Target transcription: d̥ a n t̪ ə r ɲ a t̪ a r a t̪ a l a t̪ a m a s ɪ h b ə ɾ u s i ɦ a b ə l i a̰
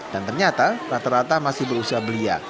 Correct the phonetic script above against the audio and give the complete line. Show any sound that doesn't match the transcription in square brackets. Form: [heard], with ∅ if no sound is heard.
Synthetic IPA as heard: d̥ a n t̪ ə r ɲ a t̪ a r a t̪ a [ɾ] a t̪ a m a s ɪ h b ə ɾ u s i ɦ a b ə l i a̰